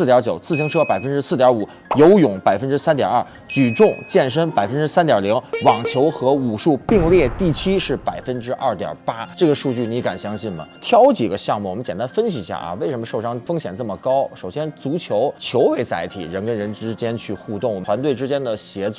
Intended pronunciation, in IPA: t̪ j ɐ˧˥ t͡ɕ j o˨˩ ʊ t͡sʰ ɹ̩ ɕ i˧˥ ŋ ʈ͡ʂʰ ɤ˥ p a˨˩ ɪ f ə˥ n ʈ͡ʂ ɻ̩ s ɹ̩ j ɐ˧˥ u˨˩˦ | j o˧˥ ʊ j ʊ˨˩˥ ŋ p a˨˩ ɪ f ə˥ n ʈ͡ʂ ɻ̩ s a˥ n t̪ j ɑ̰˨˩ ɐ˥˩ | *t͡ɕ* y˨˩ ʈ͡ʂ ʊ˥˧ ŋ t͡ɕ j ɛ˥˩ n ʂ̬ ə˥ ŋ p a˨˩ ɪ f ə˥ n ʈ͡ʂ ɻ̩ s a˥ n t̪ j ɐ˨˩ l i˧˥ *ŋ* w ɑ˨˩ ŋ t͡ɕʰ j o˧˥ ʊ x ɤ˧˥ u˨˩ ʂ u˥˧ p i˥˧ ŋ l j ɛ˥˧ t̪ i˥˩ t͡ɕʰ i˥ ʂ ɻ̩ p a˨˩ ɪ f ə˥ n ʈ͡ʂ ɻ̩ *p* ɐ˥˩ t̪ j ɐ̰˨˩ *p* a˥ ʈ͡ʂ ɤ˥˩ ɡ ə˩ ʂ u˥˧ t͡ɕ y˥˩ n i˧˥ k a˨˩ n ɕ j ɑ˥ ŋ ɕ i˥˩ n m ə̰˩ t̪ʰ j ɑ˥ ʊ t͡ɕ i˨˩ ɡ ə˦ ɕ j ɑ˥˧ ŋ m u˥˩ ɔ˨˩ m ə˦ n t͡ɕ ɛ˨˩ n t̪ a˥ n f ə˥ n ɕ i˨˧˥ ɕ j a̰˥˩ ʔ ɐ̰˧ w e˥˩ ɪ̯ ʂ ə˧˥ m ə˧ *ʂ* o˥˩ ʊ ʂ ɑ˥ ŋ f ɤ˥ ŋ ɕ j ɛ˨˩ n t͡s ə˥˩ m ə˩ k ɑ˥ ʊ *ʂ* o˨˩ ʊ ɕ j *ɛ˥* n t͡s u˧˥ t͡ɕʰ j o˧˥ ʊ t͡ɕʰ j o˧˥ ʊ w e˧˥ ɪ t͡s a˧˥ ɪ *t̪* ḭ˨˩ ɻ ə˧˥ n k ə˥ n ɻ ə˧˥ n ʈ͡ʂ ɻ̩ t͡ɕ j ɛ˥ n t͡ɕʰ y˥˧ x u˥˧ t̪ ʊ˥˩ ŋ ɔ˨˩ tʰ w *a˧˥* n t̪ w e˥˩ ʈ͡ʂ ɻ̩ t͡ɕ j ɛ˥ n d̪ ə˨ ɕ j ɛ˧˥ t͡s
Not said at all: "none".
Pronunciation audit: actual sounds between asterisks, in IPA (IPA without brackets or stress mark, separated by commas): t͡ɕ, ŋ, ʔ, p, ʂ, ʂ, ɛ˥, t̪ʰ, a˧˥